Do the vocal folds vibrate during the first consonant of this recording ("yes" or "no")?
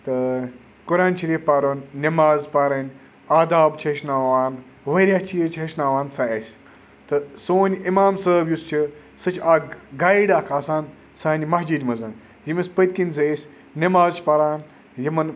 no